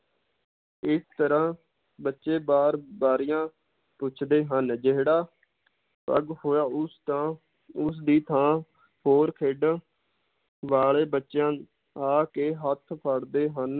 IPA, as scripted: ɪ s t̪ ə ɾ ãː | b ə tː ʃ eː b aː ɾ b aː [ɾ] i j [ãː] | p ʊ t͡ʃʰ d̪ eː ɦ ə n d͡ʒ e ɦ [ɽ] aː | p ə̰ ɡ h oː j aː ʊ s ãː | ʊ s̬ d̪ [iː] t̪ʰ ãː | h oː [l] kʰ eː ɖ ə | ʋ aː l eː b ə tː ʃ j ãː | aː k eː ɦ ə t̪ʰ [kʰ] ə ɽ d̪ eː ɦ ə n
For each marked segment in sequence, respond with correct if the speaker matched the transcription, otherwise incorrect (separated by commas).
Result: correct, correct, correct, correct, incorrect, incorrect